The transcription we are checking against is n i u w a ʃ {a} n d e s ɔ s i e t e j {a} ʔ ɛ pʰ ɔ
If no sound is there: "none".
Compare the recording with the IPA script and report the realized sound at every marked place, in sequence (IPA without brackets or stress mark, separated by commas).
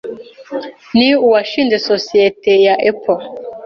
i, a